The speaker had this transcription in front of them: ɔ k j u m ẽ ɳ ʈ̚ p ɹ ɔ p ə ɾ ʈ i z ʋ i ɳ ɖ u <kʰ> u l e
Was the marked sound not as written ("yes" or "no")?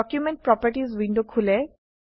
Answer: no